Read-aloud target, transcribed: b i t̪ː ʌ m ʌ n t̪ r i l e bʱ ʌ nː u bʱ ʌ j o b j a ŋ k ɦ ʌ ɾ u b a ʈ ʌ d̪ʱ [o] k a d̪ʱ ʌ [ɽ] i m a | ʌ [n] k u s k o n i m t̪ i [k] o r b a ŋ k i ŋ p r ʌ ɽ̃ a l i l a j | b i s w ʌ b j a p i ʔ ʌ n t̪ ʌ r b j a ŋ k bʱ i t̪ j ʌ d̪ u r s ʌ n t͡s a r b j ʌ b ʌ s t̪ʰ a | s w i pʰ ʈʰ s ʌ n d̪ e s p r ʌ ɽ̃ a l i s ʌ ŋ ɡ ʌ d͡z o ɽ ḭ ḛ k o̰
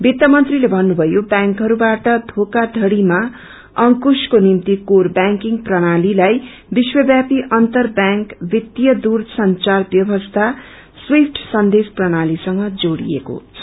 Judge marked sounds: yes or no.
yes, yes, no, yes

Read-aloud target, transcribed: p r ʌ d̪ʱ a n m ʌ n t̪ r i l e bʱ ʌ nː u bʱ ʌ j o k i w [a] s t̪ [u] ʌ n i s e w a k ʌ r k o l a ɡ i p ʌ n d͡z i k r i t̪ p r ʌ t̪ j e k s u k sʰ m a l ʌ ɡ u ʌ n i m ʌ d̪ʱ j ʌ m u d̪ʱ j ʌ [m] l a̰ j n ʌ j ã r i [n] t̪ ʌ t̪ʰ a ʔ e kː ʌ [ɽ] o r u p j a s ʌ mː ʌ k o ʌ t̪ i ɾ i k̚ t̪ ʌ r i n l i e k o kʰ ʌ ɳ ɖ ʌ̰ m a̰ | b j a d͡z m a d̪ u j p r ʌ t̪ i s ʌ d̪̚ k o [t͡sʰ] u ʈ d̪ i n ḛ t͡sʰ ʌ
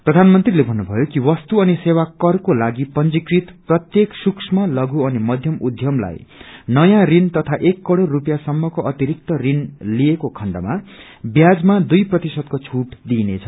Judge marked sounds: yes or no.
no, yes, yes, yes, yes, yes

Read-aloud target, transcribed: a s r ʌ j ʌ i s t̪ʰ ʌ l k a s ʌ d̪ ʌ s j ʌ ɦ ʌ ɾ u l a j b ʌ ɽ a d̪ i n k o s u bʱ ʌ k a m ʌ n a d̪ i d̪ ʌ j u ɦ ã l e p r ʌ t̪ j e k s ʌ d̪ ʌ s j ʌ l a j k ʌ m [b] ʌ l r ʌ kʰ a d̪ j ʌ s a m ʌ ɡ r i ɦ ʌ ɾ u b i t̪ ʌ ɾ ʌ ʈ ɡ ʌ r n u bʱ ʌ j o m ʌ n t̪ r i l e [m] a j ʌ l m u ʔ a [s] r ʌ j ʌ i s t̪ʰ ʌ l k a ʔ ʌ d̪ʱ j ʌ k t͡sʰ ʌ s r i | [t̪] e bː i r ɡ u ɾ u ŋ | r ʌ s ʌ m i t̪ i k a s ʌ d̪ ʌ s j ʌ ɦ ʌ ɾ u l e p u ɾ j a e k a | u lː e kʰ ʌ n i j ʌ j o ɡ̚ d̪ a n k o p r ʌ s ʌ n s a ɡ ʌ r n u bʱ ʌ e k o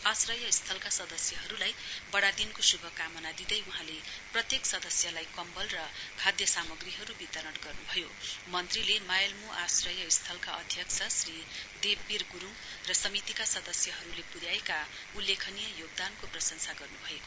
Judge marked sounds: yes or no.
yes, yes, yes, no

